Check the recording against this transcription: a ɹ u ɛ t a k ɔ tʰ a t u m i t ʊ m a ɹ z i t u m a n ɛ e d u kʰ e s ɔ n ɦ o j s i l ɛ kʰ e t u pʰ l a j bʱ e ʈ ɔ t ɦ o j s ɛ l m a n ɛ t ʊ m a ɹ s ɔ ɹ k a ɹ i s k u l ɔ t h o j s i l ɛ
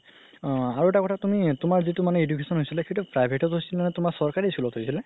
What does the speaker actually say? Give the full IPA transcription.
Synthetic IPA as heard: a ɹ u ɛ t a k ɔ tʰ a t u m i t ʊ m a ɹ z i t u m a n ɛ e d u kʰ e s ɔ n ɦ o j s i l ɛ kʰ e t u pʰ ɹ a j bʱ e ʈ ɔ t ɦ o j s i l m a n ɛ t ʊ m a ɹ s ɔ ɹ k a ɹ i s k u l ɔ t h o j s i l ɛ